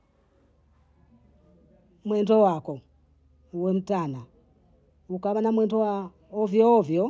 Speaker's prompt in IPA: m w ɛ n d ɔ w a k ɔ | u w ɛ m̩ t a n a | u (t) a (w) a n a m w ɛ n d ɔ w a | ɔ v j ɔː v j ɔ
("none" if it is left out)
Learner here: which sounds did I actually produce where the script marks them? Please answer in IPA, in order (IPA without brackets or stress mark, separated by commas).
k, β